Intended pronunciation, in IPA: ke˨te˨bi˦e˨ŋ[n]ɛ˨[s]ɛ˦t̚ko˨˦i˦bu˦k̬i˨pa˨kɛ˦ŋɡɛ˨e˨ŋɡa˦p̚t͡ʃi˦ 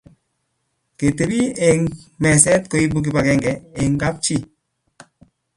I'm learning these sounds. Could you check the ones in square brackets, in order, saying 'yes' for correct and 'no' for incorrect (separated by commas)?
no, yes